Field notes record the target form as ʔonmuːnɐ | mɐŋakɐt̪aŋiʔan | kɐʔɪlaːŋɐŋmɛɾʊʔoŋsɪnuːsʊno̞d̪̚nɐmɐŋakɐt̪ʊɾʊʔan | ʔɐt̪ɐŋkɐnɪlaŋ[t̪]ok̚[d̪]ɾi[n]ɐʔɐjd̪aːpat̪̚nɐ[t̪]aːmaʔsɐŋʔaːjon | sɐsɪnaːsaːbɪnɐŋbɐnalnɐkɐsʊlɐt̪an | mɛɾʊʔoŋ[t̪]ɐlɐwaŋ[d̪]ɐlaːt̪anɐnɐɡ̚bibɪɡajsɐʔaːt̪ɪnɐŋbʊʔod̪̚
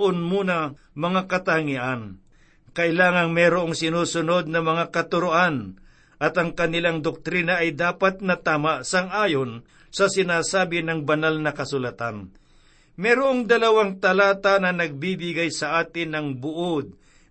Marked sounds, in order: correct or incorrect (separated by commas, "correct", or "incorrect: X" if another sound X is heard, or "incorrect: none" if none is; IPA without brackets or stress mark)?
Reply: incorrect: d̪, incorrect: t̪, correct, correct, incorrect: d̪, incorrect: t̪